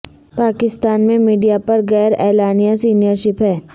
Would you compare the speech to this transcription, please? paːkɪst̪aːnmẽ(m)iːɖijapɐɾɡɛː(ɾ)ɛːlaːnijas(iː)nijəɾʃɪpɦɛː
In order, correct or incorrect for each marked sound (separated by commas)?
correct, correct, correct